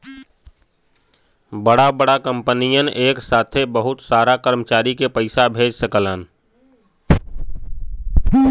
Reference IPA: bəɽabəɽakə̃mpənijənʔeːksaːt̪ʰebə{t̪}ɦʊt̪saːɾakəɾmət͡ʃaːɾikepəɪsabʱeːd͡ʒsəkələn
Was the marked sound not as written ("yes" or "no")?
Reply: yes